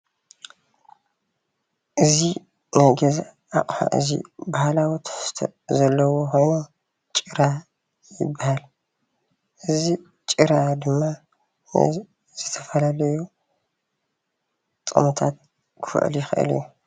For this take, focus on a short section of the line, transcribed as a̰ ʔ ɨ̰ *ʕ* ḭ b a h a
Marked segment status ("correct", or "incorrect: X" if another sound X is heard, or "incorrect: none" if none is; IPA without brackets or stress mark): incorrect: z